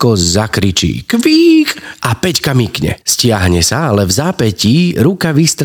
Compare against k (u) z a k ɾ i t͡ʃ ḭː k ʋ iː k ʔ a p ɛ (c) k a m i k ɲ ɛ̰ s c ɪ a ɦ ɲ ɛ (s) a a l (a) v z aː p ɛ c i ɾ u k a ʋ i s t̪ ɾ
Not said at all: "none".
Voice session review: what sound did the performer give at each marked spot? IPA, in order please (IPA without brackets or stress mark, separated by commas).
ɔ, c, s, ɛ